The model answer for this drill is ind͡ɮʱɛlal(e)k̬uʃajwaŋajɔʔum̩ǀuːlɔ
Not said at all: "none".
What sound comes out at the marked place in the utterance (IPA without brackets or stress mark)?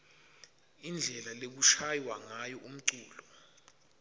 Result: e